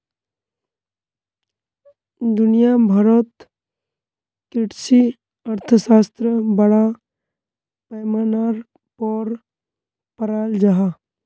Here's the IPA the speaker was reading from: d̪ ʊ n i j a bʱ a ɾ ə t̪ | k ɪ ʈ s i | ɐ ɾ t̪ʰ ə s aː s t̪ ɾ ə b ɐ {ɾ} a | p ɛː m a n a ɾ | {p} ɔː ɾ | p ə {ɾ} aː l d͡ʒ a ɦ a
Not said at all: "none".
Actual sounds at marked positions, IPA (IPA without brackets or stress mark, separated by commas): ɽ, p, ɾ